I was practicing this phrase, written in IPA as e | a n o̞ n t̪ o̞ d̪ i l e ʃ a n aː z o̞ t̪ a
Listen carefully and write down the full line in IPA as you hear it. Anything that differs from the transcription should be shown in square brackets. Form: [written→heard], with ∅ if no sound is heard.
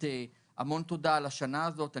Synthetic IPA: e | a [n→m] o̞ n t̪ o̞ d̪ [i→a] l [e→a] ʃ a n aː z o̞ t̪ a